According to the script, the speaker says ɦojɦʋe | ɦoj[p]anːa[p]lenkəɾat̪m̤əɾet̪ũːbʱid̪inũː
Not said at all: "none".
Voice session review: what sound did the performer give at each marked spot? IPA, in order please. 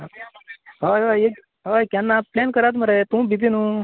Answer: k, p

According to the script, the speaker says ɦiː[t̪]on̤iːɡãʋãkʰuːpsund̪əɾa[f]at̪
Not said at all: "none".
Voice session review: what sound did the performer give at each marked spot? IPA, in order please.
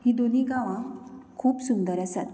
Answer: d̪, s

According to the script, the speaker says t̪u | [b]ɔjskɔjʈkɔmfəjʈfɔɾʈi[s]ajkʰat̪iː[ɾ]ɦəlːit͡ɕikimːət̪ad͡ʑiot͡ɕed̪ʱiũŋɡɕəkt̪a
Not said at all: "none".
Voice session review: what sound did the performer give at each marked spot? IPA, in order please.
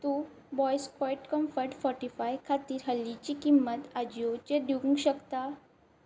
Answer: b, f, ɾ

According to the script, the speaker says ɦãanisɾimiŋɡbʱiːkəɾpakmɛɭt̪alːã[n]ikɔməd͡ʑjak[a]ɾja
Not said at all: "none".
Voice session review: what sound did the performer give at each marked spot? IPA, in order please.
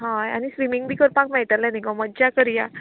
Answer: n, ə

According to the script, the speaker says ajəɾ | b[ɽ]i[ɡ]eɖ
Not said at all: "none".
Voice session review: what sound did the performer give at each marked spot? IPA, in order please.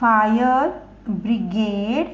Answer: ɾ, ɡ

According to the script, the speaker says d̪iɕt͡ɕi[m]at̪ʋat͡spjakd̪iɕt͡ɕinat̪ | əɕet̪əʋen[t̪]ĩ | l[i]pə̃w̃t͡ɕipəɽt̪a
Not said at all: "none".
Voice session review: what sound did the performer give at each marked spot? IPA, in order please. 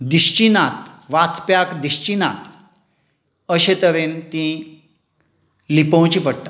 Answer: n, t̪, i

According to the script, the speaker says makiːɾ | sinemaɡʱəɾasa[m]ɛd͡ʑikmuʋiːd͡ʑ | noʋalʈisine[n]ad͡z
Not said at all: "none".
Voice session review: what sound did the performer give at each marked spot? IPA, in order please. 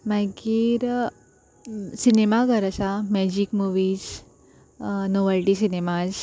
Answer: m, m

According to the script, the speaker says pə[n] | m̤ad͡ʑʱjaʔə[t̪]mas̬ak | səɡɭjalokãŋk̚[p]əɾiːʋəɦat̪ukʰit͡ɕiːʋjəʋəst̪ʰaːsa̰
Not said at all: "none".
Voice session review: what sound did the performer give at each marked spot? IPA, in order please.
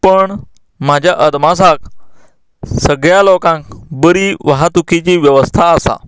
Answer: ɳ, d̪, b

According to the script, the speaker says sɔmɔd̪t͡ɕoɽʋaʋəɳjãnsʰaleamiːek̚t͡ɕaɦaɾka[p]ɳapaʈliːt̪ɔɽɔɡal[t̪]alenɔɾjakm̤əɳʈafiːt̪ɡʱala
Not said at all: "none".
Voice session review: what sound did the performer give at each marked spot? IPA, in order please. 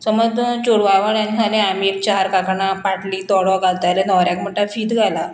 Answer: k, t̪

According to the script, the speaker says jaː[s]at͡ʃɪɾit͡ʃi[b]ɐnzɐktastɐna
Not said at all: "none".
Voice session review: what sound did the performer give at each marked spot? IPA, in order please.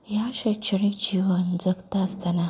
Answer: ʃ, w

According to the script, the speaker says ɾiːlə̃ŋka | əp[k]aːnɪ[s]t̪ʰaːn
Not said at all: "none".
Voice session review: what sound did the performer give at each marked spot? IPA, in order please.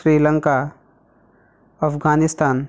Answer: ɡ, s

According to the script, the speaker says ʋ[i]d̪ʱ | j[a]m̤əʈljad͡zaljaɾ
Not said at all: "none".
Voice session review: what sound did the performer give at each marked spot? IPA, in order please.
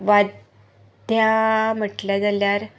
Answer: a, a

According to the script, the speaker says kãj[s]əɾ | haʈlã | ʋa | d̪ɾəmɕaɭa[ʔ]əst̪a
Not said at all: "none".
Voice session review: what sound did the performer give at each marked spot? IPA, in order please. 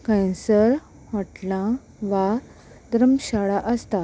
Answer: s, ʔ

